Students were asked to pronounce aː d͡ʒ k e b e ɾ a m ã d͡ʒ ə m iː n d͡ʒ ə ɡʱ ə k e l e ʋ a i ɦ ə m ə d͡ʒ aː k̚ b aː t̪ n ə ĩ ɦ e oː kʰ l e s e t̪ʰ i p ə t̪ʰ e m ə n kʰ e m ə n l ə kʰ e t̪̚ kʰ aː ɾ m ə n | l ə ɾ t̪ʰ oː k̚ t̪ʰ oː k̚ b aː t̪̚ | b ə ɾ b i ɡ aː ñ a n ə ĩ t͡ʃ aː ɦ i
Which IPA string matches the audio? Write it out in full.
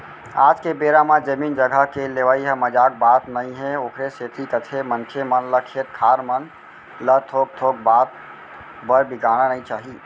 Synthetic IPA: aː d͡ʒ k e b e ɾ a m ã d͡ʒ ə m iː n d͡ʒ ə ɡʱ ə k e l e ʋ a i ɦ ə m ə d͡ʒ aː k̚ b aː t̪ n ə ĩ ɦ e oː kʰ ɾ e s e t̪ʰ i k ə t̪ʰ e m ə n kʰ e m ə n l ə kʰ e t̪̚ kʰ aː ɾ m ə n | l ə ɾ t̪ʰ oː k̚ t̪ʰ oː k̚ b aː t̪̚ | b ə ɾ b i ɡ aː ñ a n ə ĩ t͡ʃ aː ɦ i